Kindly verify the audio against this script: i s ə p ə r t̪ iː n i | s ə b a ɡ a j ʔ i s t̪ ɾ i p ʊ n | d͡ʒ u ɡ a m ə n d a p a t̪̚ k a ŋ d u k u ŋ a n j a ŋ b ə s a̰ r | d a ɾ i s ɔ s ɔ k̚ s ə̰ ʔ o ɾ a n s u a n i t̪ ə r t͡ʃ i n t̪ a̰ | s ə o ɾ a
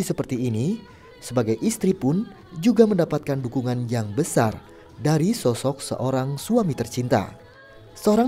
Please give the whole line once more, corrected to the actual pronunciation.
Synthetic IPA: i s ə p ə r t̪ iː n i | s ə b a ɡ a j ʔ i s t̪ ɾ i p ʊ n | d͡ʒ u ɡ a m ə n d a p a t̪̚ k a n d u k u ŋ a n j a ŋ b ə s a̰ r | d a ɾ i s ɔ s ɔ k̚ s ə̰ ʔ o ɾ a ŋ s u a m i t̪ ə r t͡ʃ i n t̪ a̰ | s ə o ɾ a